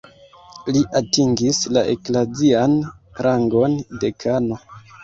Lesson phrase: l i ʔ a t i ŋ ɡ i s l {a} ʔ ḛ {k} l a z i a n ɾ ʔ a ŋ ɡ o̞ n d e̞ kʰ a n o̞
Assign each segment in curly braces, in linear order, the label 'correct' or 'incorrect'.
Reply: correct, correct

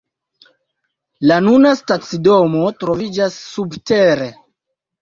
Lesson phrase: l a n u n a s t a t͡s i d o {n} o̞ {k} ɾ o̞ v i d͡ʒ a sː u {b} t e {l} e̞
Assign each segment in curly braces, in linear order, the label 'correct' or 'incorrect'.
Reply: incorrect, incorrect, correct, incorrect

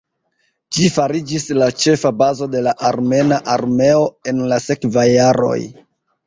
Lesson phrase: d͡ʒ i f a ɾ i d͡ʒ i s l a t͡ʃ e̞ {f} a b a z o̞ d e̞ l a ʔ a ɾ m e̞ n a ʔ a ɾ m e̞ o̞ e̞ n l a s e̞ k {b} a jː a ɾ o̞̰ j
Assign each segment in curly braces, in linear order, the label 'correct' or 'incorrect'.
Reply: correct, incorrect

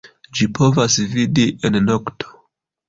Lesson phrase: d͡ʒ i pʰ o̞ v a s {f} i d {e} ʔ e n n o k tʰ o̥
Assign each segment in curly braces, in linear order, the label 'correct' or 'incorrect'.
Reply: incorrect, incorrect

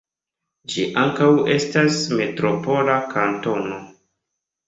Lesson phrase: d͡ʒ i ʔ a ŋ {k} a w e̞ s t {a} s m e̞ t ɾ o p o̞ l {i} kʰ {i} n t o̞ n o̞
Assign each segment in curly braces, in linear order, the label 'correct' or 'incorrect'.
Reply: correct, correct, incorrect, incorrect

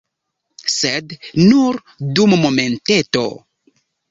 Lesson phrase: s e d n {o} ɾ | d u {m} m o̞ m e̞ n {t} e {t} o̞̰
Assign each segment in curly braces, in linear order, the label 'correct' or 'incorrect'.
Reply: incorrect, correct, correct, correct

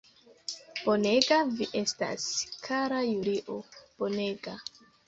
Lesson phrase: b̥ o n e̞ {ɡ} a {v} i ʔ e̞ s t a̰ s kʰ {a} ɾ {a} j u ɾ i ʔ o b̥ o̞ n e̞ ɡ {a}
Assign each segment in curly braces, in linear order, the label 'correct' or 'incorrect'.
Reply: correct, correct, correct, correct, correct

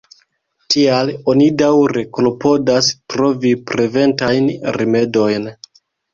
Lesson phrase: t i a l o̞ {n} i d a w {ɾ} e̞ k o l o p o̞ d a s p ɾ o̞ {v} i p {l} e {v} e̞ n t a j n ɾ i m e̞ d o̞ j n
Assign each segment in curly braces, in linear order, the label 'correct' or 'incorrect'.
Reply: correct, correct, correct, incorrect, correct

